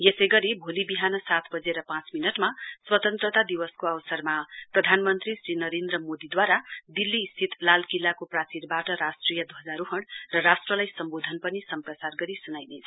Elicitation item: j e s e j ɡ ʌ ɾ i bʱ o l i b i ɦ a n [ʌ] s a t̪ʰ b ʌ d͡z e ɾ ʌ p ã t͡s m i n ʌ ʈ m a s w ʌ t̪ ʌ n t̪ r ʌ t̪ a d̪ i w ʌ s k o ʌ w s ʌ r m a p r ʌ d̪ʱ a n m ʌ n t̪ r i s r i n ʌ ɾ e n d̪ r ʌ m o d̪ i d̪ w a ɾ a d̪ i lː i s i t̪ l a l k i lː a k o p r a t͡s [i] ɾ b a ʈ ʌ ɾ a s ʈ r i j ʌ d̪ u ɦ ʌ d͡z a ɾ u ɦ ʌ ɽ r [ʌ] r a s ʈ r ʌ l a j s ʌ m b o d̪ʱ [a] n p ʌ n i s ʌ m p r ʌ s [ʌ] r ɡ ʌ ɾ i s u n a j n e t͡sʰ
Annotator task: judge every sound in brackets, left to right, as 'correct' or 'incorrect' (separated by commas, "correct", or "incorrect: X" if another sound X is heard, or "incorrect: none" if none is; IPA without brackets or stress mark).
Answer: correct, correct, correct, incorrect: ʌ, incorrect: a